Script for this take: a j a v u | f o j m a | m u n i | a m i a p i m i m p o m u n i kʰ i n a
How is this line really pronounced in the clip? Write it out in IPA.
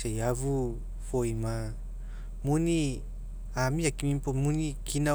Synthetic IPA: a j a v u | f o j m a | m u n i | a m i a k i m i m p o m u n i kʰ i n a

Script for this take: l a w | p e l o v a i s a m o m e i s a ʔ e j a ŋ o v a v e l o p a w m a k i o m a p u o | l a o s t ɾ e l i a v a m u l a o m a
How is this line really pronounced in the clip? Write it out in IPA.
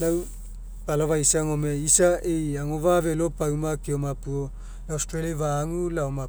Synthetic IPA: l a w | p a l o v a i s a ŋ o m e i s a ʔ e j a ŋ o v a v e l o p a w m a k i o m a p u o | l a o s t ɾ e l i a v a ŋ u l a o m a

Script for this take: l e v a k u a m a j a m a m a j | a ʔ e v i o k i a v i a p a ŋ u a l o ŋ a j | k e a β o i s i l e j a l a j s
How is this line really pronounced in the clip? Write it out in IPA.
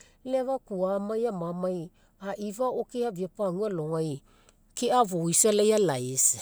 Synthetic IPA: l e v a k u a m a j a m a m a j | a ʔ i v a o k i a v i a p a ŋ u a l o ŋ a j | k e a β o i s a l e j a l a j s

